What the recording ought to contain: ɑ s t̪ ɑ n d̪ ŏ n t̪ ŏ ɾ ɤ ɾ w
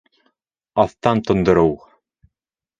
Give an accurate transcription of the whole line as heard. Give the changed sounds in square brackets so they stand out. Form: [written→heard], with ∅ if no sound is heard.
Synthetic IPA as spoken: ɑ [s→θ] t̪ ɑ n [d̪→t̪] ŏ n [t̪→d̪] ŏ ɾ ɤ [ɾ→∅] w